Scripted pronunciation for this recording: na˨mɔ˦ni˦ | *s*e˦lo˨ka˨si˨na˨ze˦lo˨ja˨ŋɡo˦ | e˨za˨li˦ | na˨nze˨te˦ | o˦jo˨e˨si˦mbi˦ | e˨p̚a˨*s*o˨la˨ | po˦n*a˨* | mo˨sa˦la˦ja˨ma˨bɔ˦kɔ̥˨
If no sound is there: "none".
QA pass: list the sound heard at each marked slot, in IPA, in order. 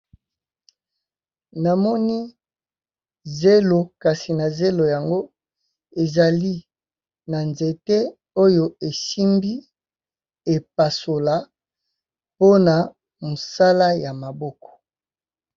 z, s, a˨

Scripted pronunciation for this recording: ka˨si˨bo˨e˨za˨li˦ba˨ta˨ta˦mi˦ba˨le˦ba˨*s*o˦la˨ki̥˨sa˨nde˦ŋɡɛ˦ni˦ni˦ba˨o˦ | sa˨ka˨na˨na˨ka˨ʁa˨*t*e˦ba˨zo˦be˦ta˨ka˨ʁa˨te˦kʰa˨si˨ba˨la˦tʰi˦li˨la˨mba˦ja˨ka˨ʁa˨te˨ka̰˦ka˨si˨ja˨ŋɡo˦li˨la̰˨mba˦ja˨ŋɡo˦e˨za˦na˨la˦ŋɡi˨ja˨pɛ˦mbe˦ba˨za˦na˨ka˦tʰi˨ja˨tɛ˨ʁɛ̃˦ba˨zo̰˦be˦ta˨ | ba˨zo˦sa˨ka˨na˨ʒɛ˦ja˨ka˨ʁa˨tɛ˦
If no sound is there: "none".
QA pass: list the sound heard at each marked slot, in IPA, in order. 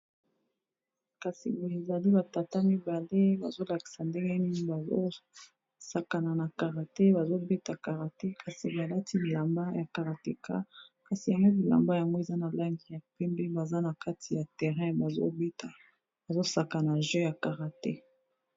z, t

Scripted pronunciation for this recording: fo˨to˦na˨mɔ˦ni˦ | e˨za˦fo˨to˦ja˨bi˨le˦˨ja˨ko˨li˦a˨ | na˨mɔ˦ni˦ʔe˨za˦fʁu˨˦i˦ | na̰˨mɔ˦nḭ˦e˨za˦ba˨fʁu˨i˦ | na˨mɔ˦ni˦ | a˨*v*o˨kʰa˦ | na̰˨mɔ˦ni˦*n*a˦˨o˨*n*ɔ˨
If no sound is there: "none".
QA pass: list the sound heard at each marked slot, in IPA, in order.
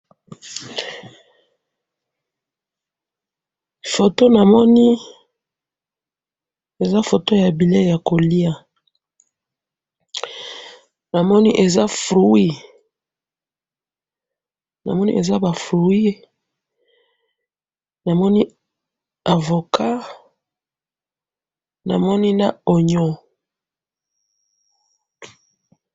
v, n, ɲ

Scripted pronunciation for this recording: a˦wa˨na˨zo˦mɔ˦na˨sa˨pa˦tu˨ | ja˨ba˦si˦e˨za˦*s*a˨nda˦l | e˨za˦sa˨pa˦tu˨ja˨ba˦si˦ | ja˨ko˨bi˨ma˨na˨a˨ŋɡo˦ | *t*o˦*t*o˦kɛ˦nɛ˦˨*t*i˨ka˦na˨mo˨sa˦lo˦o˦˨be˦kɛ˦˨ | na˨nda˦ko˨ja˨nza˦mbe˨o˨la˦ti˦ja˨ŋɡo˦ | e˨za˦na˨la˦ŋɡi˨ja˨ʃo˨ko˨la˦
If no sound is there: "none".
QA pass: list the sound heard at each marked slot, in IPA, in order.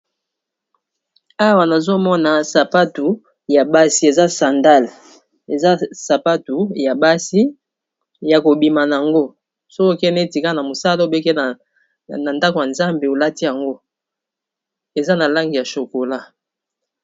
s, s, k, t

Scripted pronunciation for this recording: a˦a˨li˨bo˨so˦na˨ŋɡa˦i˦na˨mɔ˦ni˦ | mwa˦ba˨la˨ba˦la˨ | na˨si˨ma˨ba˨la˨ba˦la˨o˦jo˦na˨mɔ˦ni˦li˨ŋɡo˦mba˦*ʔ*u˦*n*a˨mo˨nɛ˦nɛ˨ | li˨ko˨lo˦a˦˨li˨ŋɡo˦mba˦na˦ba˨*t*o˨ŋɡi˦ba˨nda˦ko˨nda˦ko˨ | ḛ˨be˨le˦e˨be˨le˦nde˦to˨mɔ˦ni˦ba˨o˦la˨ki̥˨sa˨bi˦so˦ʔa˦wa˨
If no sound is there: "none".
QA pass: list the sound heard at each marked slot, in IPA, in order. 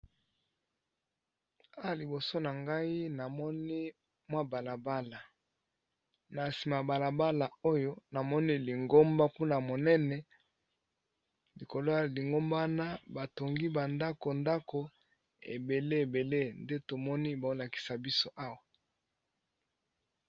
k, n, t

